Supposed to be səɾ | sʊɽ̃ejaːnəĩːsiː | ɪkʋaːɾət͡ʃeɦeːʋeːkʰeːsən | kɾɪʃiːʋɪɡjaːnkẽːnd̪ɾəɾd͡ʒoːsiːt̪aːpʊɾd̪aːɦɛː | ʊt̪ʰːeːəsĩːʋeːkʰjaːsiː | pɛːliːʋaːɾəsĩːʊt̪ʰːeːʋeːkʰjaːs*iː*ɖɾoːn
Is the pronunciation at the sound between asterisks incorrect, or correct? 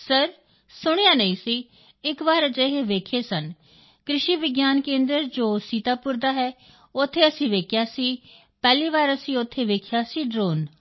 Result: correct